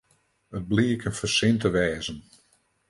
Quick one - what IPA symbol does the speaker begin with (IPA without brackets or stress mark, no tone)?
ə